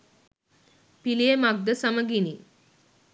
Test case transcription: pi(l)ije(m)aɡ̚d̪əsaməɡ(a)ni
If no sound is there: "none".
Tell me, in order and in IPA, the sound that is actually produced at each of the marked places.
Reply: l, m, i

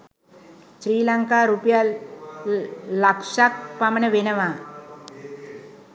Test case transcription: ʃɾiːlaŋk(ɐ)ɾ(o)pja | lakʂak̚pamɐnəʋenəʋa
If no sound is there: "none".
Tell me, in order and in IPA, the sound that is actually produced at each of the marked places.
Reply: a, u

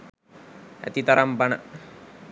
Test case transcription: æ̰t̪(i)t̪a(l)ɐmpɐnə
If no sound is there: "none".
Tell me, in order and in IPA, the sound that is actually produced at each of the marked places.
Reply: i, ɾ

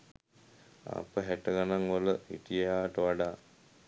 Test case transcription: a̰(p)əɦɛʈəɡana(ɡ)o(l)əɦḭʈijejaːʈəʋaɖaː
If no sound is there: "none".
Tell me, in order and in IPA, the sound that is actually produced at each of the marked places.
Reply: p, ŋ, l

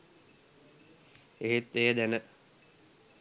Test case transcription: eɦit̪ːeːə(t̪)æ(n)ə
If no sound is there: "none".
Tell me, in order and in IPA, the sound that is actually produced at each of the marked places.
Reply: d̪, n

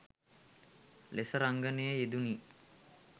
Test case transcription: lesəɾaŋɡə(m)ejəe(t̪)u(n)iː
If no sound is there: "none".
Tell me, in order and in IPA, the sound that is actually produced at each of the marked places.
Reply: n, d̪, n

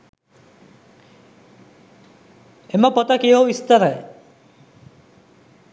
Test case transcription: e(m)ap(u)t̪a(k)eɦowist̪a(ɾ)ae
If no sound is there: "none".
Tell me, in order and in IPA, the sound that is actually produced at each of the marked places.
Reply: m, ɔ, k, ɾ

